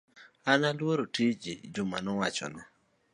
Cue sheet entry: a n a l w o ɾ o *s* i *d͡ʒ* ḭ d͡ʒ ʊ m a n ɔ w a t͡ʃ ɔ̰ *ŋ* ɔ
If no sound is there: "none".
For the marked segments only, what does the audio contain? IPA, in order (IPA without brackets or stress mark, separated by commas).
t, d͡ʒ, n